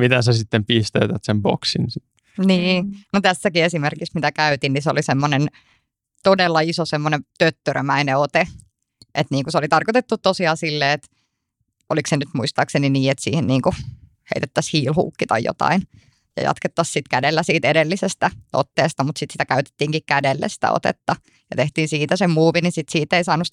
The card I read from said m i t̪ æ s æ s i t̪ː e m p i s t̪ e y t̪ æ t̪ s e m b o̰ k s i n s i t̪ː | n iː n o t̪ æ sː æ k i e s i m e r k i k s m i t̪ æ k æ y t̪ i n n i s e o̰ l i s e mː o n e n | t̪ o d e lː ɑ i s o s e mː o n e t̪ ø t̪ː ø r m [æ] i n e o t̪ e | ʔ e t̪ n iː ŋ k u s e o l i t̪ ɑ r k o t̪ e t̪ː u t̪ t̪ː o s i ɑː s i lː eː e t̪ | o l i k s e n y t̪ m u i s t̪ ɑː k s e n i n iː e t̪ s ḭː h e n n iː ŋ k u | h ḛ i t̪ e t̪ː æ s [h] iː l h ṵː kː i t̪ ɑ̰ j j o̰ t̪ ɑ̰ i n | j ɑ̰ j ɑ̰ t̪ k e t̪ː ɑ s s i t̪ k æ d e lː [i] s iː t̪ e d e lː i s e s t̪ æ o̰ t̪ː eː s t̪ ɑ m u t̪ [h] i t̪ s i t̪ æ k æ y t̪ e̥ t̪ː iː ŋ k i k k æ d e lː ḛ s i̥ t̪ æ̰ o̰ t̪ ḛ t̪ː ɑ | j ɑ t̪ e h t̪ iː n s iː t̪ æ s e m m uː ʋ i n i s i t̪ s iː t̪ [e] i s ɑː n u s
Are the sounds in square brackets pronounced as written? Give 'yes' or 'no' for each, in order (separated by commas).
yes, yes, no, no, yes